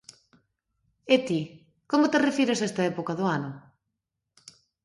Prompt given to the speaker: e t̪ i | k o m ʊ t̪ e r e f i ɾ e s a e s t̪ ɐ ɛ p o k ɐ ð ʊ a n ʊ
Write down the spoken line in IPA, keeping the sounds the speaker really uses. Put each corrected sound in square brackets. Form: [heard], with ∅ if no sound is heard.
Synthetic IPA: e t̪ i | k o m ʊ t̪ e r e f i ɾ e s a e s t̪ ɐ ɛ p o k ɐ ð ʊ a n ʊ